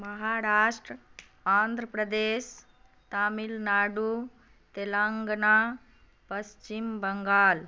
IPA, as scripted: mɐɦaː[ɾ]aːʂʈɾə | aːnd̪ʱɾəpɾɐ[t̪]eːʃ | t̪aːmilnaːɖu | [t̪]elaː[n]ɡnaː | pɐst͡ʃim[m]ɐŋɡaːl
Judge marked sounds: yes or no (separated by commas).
yes, no, yes, no, no